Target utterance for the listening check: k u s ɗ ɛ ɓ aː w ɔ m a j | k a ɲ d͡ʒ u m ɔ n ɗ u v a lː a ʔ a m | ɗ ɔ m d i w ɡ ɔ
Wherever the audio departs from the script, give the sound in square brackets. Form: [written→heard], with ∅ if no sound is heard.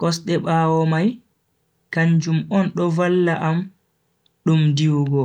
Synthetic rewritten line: k [u→ɔ] s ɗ ɛ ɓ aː w ɔ m a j | k a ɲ d͡ʒ u m ɔ n ɗ [u→ɔ] v a lː a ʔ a m | ɗ [ɔ→u] m d i w ɡ ɔ